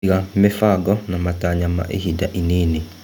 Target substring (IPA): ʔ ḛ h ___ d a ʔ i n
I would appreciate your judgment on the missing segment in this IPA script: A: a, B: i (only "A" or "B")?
B